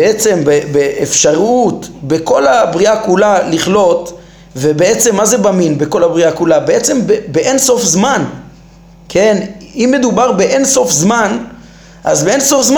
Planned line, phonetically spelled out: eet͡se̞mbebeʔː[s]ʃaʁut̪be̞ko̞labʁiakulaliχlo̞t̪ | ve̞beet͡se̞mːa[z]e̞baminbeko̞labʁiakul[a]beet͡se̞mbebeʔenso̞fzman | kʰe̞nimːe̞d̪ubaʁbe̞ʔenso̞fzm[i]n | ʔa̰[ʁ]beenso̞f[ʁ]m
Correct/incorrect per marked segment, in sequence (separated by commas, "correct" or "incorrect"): incorrect, correct, correct, incorrect, incorrect, incorrect